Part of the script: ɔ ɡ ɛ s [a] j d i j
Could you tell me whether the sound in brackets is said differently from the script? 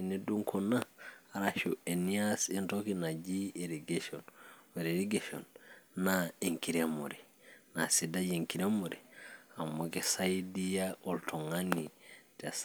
no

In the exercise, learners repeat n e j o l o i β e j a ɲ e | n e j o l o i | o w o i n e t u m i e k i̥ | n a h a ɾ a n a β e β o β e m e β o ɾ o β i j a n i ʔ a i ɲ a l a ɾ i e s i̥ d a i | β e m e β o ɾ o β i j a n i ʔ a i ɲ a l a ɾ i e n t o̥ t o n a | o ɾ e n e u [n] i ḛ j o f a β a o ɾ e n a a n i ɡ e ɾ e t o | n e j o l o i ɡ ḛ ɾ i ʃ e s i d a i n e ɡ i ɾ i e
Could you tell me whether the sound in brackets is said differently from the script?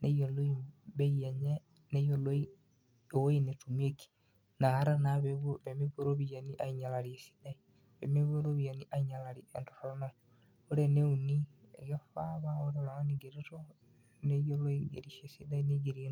no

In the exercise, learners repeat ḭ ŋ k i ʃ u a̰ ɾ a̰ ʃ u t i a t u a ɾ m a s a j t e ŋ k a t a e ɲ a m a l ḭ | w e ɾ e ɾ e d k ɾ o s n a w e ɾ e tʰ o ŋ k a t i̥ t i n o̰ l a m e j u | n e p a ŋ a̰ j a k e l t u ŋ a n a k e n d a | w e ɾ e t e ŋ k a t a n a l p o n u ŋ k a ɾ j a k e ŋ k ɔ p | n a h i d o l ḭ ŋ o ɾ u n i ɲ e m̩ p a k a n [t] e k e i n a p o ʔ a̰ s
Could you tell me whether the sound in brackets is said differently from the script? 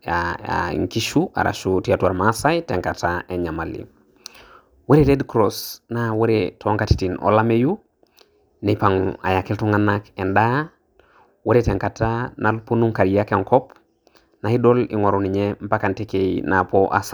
no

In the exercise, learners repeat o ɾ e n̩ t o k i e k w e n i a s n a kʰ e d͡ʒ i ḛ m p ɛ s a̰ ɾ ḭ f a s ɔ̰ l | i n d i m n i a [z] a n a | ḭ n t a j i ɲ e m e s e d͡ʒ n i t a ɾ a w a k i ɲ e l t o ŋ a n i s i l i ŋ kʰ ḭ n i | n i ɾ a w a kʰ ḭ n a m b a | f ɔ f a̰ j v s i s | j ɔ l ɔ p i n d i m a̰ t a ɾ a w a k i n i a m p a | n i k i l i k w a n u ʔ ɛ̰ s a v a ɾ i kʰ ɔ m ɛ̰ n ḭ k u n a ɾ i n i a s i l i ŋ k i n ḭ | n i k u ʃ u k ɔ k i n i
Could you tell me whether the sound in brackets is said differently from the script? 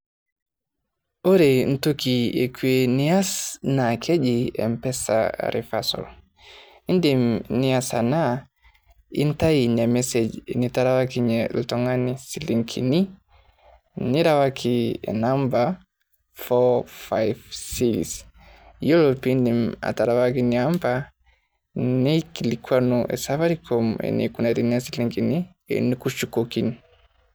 yes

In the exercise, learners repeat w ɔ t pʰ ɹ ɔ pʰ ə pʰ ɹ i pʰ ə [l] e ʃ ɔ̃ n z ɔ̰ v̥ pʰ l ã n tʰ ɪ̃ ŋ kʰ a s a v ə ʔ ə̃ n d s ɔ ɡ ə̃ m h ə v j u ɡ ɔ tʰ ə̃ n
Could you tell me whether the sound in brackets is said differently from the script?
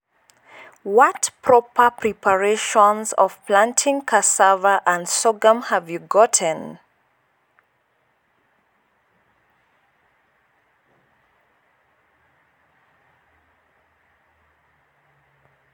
yes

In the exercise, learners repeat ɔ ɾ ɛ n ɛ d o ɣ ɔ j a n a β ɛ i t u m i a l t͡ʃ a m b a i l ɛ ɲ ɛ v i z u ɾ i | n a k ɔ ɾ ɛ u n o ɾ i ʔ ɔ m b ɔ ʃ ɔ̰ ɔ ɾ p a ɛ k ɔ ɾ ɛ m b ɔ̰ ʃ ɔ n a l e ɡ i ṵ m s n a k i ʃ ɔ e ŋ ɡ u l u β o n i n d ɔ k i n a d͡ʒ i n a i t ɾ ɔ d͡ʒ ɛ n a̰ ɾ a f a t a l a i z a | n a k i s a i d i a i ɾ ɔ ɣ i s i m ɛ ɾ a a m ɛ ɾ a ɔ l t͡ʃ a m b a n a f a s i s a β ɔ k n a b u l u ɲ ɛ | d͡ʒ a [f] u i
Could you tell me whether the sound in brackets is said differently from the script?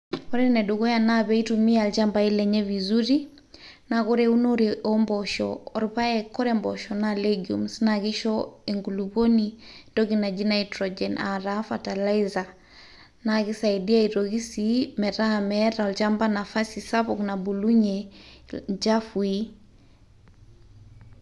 no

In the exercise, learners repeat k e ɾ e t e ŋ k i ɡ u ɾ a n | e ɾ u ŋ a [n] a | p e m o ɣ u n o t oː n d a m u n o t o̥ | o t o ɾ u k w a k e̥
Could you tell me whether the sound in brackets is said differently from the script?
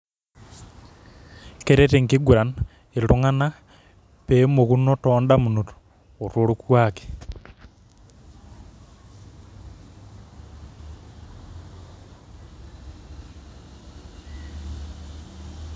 no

